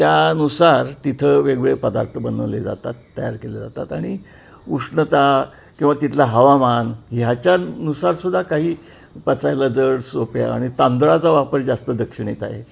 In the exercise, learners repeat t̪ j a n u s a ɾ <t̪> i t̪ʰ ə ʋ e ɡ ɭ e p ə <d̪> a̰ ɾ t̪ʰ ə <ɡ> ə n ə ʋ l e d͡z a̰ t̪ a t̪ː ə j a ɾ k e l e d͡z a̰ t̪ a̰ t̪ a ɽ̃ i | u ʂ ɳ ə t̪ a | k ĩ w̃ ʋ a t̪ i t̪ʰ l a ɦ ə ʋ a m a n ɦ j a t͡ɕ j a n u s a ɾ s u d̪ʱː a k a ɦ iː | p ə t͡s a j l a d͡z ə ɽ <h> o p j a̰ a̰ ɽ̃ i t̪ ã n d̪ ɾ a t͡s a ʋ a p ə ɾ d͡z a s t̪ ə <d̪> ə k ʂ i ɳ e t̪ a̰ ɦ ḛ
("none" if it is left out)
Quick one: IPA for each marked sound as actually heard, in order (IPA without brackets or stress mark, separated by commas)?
t̪, d̪, b, s, d̪